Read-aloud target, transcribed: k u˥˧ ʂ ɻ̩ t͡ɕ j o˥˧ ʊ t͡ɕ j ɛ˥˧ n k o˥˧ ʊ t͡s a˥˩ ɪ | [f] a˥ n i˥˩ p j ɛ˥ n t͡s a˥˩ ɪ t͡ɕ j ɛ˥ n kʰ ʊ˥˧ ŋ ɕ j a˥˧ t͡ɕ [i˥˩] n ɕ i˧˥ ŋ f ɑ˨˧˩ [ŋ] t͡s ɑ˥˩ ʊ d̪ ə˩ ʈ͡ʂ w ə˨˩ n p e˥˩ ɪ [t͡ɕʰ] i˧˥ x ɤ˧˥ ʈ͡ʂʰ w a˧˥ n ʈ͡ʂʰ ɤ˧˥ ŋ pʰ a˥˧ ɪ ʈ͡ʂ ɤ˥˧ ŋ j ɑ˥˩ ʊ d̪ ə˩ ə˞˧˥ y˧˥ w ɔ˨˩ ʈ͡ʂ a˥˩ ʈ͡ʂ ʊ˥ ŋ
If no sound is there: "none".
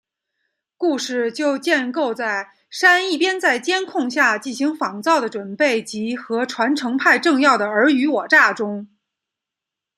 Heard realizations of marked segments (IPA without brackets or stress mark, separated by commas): ʂ, i˥˩, ŋ, t͡ɕ